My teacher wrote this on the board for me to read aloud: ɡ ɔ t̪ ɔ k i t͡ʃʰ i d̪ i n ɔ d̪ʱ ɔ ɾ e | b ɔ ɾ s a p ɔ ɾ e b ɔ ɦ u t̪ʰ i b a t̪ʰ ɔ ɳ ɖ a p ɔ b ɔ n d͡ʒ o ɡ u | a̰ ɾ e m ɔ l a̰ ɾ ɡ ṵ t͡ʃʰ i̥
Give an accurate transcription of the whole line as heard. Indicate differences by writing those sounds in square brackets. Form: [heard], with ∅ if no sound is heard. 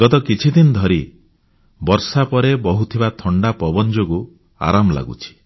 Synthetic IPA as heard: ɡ ɔ t̪ ɔ k i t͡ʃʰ i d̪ i n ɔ d̪ʱ ɔ ɾ [i] | b ɔ ɾ s a p ɔ ɾ e b ɔ ɦ u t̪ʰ i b a t̪ʰ ɔ ɳ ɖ a p ɔ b ɔ n d͡ʒ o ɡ u | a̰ ɾ [a] m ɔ l a̰ [∅] ɡ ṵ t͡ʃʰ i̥